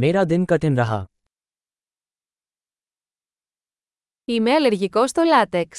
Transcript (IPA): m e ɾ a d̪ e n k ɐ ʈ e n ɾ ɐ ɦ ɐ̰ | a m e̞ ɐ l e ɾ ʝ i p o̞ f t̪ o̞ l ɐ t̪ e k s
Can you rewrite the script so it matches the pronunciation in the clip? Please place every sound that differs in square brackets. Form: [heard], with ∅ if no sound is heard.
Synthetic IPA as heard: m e ɾ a d̪ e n k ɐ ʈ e n ɾ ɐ ɦ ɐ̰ | [i] m e̞ ɐ l e ɾ ʝ i [k] o̞ [s] t̪ o̞ l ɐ t̪ e k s